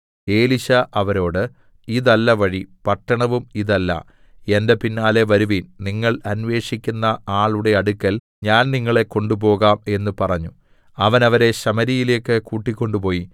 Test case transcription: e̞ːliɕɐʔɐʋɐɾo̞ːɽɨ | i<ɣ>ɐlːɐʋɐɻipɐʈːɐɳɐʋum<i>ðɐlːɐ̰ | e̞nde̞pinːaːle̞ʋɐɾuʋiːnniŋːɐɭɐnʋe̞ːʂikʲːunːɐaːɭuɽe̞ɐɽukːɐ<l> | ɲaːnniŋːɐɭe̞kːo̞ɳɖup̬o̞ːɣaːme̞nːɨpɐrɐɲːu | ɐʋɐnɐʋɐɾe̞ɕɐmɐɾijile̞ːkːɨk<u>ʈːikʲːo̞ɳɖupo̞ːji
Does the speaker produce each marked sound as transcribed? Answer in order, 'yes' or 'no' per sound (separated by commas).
no, yes, yes, no